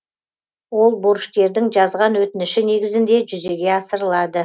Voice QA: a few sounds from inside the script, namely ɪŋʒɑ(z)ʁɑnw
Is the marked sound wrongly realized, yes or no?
no